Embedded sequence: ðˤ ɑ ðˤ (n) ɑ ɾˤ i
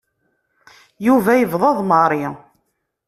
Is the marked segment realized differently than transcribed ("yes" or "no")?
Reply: yes